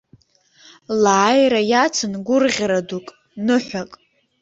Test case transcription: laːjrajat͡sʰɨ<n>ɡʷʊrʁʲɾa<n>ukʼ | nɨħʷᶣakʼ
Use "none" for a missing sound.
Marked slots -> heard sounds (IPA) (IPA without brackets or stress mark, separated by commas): n, d